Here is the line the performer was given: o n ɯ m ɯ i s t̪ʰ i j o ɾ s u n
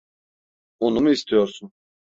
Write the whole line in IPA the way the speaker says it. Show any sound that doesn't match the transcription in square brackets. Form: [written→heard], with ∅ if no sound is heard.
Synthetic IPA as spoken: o n [ɯ→u] m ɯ i s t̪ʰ i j o ɾ s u n